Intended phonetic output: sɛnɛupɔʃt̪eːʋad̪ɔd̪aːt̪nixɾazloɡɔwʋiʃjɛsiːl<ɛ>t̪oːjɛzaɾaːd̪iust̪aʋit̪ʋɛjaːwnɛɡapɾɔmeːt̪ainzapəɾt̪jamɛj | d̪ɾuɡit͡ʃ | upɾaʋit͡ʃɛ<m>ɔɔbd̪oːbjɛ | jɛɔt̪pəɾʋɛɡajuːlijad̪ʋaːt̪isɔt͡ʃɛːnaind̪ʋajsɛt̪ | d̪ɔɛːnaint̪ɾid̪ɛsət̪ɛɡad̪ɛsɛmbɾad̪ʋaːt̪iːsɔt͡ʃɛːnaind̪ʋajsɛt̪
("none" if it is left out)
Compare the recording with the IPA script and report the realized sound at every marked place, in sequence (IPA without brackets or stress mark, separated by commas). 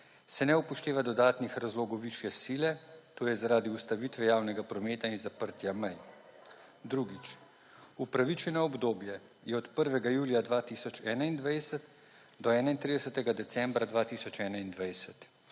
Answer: ɛ, n